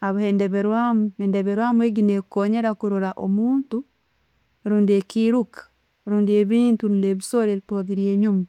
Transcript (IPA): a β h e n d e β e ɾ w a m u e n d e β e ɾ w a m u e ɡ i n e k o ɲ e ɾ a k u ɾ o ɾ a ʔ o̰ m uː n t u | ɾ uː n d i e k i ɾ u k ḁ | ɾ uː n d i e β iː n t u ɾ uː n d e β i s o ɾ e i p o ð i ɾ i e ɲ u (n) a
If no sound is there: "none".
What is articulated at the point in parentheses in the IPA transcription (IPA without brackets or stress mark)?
m